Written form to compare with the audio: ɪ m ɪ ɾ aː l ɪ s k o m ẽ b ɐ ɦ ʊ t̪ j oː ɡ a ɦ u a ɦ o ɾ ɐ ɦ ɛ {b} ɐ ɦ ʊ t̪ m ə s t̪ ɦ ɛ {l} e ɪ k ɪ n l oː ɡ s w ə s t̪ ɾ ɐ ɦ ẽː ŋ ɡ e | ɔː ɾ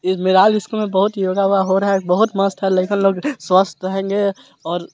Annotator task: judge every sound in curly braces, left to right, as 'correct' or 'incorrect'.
correct, correct

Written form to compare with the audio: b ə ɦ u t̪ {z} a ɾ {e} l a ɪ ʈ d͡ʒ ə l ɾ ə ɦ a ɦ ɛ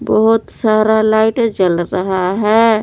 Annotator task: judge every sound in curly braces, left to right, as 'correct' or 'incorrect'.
incorrect: s, incorrect: a

